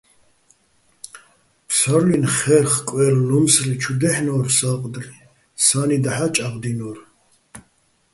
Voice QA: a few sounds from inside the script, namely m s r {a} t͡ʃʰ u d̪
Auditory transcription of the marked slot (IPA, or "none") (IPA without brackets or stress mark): i